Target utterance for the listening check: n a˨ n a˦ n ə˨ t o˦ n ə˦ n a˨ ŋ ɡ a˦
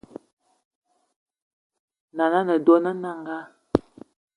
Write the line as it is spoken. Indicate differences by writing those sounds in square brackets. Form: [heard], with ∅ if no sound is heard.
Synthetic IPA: n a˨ n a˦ n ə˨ [d] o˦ n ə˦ n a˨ ŋ ɡ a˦

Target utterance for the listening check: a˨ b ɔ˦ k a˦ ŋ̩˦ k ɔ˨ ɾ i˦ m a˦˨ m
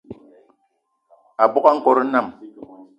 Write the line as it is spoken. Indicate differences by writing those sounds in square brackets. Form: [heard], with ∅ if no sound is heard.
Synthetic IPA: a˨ b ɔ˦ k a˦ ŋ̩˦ k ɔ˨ ɾ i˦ [n] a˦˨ m

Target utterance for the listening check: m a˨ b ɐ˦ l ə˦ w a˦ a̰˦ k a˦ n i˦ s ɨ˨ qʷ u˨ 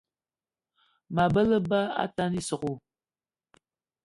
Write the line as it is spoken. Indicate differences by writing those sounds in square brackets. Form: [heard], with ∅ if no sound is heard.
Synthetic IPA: m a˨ b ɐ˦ l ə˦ [b] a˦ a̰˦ [t] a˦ n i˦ s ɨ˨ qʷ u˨

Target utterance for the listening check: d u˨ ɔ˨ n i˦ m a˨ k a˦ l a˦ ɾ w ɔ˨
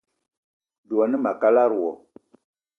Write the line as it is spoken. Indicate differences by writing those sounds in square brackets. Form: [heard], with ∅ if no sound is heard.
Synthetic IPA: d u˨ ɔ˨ n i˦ m a˨ k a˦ l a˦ ɾ w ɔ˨

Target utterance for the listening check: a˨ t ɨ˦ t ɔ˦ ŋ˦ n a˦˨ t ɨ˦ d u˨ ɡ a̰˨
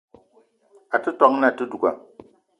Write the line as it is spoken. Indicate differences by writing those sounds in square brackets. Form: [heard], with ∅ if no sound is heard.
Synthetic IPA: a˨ t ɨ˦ t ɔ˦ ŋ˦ n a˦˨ t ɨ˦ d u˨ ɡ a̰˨

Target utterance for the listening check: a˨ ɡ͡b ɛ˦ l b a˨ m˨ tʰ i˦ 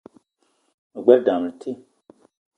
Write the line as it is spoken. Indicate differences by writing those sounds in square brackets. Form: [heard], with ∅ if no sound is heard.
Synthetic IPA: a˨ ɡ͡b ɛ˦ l [d] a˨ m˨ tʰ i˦

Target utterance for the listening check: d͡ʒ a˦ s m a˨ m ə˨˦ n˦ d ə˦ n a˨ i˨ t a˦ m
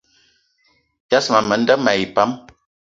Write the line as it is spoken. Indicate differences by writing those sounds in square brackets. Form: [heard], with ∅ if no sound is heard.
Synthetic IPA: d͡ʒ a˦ s m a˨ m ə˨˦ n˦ d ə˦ [m] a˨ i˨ [p] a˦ m

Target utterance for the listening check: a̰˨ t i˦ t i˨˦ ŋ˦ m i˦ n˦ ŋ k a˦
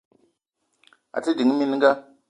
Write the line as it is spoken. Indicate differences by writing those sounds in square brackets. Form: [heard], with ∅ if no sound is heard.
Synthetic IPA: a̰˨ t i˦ [d] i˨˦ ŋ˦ m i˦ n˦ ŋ [ɡ] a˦

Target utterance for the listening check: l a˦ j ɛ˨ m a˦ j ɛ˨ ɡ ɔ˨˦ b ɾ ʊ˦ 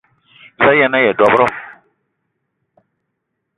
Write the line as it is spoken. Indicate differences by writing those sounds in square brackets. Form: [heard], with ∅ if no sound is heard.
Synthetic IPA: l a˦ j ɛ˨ [n] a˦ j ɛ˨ [d] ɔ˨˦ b ɾ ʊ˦

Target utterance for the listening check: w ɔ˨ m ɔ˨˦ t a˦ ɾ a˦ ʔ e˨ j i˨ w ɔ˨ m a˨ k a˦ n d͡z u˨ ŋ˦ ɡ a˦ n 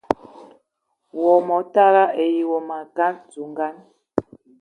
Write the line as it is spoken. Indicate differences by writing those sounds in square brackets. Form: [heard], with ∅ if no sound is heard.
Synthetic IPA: w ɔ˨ m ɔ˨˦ t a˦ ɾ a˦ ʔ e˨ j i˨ w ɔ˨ m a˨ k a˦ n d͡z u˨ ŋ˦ ɡ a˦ n

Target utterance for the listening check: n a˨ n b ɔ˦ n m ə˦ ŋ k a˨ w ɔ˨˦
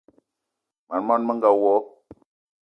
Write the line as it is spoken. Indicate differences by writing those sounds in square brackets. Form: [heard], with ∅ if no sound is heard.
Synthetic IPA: [m] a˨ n [m] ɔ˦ n m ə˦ ŋ [ɡ] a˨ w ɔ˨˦

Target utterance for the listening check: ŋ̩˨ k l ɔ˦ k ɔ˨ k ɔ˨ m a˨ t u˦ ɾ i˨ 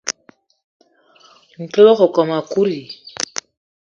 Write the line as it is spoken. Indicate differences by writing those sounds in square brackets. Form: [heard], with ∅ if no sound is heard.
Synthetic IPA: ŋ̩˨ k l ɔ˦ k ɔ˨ k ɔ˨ m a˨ [k] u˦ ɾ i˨

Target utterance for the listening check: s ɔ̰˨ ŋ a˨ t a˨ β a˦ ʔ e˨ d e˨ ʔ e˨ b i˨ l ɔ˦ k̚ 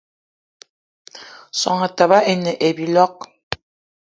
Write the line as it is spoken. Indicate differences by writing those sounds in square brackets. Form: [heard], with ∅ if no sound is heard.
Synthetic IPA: s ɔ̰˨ ŋ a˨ t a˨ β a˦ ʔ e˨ [n] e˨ ʔ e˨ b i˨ l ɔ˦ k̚

